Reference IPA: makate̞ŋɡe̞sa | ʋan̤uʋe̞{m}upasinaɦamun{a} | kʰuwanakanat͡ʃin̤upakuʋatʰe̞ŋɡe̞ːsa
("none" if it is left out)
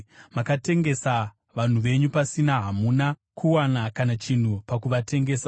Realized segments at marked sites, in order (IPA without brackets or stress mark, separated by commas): ɲ, a